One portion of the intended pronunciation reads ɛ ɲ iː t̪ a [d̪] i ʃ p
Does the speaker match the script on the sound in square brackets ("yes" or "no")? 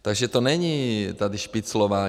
yes